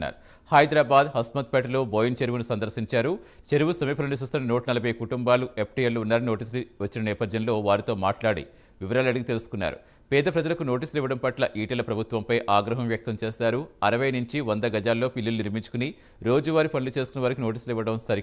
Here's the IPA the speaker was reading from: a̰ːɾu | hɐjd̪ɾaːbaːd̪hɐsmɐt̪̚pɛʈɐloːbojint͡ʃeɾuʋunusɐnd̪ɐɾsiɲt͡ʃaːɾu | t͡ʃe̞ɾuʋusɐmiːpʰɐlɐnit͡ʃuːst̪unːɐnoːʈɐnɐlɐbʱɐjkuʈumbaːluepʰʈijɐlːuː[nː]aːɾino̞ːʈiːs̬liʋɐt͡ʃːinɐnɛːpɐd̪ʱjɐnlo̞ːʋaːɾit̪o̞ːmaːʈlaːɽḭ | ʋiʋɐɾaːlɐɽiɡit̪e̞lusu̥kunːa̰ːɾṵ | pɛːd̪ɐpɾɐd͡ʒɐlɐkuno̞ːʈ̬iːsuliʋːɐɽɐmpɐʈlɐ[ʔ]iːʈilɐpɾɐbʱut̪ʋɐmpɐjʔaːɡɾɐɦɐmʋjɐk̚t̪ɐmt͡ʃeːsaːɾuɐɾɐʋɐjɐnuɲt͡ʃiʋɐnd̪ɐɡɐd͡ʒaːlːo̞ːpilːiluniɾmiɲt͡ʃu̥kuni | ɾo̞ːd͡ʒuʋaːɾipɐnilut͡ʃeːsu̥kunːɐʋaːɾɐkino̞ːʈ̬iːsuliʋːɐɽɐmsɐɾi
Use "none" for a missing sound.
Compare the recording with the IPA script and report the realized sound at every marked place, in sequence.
nː, ʔ

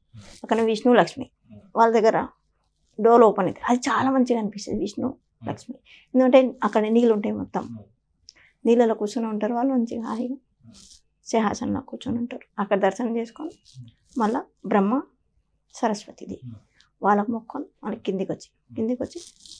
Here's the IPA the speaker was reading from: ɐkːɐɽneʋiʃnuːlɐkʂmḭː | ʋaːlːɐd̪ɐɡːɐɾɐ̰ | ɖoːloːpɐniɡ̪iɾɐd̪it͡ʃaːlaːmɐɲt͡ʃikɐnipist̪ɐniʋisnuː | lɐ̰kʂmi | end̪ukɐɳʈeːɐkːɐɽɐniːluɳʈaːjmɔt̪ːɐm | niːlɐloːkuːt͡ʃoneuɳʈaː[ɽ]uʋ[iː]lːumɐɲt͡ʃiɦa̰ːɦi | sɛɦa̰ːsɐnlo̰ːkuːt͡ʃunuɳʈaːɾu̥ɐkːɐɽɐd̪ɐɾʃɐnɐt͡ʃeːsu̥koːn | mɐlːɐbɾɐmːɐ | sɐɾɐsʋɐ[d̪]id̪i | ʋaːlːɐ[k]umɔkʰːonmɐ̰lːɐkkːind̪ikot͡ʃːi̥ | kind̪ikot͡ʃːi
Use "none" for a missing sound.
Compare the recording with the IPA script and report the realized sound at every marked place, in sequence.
ɾ, aː, t̪, k

